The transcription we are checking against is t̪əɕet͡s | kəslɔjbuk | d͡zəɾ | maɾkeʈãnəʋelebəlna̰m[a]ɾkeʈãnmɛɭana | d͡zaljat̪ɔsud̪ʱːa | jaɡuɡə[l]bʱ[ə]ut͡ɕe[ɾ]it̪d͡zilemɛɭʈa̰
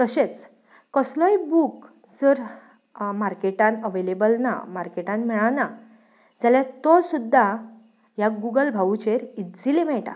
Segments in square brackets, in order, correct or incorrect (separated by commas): correct, correct, incorrect, correct